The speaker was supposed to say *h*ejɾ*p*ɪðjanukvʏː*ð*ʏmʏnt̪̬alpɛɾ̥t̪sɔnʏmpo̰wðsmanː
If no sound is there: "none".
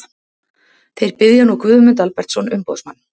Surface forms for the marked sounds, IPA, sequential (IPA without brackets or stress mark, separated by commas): θ, p, ð